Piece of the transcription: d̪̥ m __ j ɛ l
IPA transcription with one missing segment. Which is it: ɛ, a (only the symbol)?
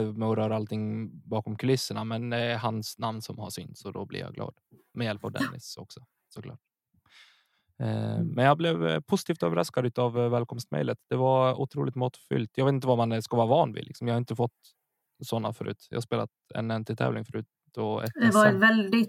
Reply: ɛ